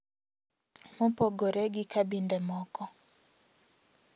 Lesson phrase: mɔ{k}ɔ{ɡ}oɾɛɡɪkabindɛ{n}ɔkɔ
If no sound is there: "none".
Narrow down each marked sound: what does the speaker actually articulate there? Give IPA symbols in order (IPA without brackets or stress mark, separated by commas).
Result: p, ɡ, m